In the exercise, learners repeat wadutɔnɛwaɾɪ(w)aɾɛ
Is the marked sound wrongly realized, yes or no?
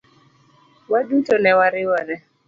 no